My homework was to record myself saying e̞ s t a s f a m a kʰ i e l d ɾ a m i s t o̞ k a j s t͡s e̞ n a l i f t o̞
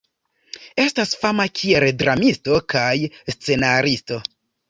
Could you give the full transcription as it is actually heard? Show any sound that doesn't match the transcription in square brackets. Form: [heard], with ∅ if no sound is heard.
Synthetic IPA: e̞ s t a s f a m a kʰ i e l d ɾ a m i s t o̞ k a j s t͡s e̞ n a [ɾ] i [s] t o̞